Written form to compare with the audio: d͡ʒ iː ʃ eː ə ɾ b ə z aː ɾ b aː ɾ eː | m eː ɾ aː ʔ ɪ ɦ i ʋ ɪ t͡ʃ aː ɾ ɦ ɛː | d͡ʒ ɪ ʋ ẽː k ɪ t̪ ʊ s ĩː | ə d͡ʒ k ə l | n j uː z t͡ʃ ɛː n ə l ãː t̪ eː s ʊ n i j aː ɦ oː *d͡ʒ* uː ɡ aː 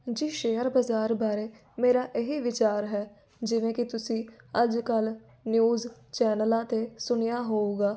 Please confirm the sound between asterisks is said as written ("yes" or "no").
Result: no